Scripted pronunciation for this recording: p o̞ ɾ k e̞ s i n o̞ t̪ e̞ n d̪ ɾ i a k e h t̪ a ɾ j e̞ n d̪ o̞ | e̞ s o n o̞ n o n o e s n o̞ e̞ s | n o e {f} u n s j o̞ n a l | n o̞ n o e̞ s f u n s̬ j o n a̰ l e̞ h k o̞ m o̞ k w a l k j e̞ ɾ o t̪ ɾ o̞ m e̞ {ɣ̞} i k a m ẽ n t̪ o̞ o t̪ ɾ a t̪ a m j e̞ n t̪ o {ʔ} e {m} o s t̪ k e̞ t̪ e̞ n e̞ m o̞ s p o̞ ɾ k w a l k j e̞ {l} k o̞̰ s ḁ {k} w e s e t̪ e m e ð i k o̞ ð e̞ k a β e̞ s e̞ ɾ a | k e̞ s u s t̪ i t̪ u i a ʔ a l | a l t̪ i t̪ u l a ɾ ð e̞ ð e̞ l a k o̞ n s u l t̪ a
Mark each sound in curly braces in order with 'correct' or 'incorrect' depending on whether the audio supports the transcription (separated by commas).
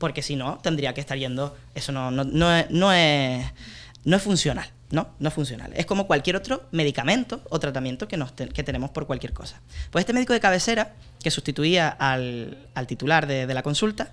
correct, incorrect, incorrect, incorrect, incorrect, incorrect